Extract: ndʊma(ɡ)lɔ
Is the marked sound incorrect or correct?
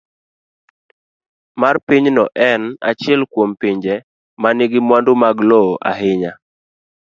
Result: correct